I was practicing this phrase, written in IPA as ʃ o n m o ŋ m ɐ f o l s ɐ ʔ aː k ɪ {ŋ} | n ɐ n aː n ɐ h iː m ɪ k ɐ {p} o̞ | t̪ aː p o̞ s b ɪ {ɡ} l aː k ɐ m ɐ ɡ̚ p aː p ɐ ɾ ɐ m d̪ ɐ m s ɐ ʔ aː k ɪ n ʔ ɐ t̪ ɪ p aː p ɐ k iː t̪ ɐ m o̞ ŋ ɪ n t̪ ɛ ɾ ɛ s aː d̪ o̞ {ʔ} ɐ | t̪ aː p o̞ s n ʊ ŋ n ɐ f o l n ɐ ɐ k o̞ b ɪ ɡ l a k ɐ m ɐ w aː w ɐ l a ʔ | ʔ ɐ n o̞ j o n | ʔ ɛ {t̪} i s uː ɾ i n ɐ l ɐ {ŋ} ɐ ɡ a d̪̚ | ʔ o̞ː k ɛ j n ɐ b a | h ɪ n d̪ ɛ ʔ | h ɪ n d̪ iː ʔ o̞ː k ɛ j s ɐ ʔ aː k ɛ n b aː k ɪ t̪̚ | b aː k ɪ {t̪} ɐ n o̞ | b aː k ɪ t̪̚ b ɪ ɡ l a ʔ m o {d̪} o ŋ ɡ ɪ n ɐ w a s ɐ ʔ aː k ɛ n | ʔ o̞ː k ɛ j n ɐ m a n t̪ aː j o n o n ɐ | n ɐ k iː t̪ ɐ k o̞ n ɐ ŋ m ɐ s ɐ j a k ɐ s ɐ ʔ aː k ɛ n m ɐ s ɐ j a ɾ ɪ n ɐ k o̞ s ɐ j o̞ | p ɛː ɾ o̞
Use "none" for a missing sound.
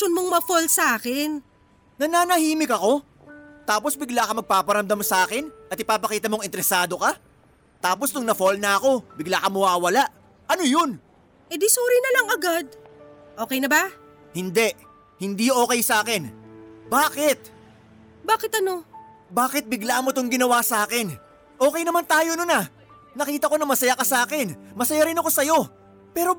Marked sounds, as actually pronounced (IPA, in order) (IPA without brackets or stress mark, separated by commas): n, k, ɡ, k, d̪, ŋ, t̪, t̪